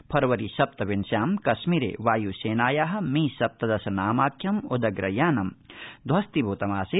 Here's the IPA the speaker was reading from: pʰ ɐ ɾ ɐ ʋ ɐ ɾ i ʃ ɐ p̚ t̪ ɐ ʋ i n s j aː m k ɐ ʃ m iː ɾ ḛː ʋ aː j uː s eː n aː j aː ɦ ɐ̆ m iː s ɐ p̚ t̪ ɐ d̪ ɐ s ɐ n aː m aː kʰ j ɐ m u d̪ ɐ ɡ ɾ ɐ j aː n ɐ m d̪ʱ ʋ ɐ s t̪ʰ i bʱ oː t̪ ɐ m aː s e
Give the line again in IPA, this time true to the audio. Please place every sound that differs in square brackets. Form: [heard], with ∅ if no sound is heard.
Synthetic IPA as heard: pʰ ɐ ɾ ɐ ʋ ɐ ɾ i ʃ ɐ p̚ t̪ ɐ ʋ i n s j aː m k ɐ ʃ m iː ɾ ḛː ʋ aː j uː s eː n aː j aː ɦ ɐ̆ m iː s ɐ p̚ t̪ ɐ d̪ ɐ s ɐ n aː m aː kʰ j ɐ m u d̪ ɐ ɡ ɾ ɐ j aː n ɐ m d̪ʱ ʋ ɐ s [t̪] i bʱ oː t̪ ɐ m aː s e

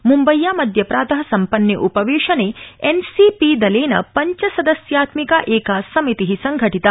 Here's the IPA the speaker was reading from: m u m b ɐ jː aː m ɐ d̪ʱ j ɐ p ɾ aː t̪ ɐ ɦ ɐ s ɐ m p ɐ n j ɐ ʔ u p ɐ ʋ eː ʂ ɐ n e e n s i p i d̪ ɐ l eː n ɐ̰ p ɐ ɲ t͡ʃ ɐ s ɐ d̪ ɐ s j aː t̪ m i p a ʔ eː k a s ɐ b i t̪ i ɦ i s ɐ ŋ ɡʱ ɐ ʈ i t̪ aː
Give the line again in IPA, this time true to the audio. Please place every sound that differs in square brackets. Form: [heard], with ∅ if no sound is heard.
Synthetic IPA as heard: m u m b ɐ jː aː m ɐ d̪ʱ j ɐ p ɾ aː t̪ ɐ ɦ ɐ s ɐ m p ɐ n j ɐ ʔ u p ɐ ʋ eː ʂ ɐ n e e n s i p i d̪ ɐ l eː n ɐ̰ p ɐ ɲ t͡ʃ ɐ s ɐ d̪ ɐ s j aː t̪ m i [k] a ʔ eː k a s ɐ [m] i t̪ i ɦ i s ɐ ŋ ɡʱ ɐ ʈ i t̪ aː

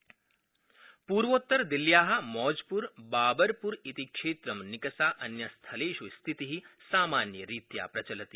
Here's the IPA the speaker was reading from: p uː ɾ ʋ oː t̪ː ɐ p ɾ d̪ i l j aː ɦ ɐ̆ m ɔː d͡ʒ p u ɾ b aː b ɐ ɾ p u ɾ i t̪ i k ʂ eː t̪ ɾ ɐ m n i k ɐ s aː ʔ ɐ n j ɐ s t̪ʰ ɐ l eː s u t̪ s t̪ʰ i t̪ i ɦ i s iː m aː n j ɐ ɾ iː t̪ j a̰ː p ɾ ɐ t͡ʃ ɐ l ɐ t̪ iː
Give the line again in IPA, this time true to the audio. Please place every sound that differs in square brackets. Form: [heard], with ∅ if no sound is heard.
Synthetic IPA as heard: p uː ɾ ʋ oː t̪ː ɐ [∅] ɾ d̪ i l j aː ɦ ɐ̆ m ɔː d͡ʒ p u ɾ b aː b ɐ ɾ p u ɾ i t̪ i k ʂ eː t̪ ɾ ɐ m n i k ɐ s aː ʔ ɐ n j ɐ s t̪ʰ ɐ l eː [ʃ] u [∅] s t̪ʰ i t̪ i ɦ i s [aː] m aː n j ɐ ɾ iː t̪ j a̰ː p ɾ ɐ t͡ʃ ɐ l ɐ t̪ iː

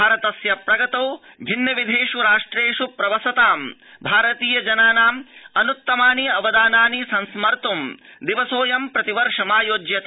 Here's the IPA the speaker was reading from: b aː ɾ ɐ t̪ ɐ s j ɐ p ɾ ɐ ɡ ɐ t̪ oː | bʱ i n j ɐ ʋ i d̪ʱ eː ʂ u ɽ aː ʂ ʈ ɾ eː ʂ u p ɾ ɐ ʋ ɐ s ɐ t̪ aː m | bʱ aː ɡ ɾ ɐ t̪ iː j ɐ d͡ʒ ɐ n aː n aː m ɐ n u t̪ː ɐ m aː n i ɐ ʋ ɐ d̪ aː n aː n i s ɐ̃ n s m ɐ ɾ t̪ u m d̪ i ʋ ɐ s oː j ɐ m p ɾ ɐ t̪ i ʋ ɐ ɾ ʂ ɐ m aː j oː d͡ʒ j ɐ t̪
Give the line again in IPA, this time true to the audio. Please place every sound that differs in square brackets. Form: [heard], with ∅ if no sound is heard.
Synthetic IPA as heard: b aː ɾ ɐ t̪ ɐ s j ɐ p ɾ ɐ ɡ ɐ t̪ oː | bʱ i n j ɐ ʋ i d̪ʱ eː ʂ u [ɾ] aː ʂ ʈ ɾ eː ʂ u p ɾ ɐ ʋ ɐ s ɐ t̪ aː m | bʱ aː [∅] ɾ ɐ t̪ iː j ɐ d͡ʒ ɐ n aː n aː m ɐ n u t̪ː ɐ m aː n i ɐ ʋ ɐ d̪ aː n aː n i s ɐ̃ n s m ɐ ɾ t̪ u m d̪ i ʋ ɐ s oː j ɐ m p ɾ ɐ t̪ i ʋ ɐ ɾ ʂ ɐ m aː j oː d͡ʒ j ɐ t̪

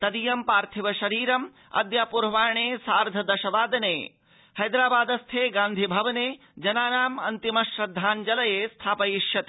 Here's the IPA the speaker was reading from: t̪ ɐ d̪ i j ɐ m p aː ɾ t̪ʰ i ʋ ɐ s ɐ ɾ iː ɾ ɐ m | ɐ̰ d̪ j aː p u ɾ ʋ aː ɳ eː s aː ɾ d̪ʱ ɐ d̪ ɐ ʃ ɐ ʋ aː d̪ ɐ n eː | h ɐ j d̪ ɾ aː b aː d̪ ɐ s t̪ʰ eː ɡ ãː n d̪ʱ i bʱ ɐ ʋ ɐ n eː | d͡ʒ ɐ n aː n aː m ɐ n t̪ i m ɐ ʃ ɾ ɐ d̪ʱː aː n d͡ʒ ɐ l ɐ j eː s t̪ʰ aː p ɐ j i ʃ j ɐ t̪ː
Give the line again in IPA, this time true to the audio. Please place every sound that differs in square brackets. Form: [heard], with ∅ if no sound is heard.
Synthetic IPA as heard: t̪ ɐ d̪ i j ɐ m p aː ɾ t̪ʰ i ʋ ɐ [ʃ] ɐ ɾ iː ɾ ɐ m | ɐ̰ d̪ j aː p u ɾ ʋ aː ɳ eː s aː ɾ d̪ʱ ɐ d̪ ɐ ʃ ɐ ʋ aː d̪ ɐ n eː | h ɐ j d̪ ɾ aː b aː d̪ ɐ s t̪ʰ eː ɡ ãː n d̪ʱ i bʱ ɐ ʋ ɐ n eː | d͡ʒ ɐ n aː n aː m ɐ n t̪ i m ɐ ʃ ɾ ɐ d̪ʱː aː n d͡ʒ ɐ l ɐ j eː s t̪ʰ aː p ɐ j i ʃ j ɐ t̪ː

